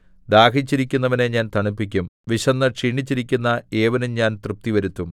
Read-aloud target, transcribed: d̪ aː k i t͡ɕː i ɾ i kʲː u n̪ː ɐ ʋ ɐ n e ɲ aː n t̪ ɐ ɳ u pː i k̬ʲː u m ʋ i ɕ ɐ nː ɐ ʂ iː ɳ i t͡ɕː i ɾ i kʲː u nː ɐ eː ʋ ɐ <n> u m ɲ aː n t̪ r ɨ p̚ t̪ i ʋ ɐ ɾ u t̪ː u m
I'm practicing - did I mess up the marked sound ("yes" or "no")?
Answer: no